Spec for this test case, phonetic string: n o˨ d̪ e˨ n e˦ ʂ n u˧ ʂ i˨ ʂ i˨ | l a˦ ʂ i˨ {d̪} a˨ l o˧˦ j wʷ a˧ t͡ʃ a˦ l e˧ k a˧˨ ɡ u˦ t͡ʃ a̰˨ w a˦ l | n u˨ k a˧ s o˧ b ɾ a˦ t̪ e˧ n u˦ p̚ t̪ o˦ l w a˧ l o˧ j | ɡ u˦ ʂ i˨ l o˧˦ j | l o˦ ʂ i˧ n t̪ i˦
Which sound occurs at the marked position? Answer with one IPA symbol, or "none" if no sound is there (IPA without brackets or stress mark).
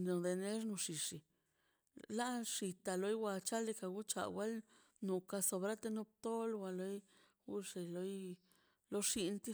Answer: t̪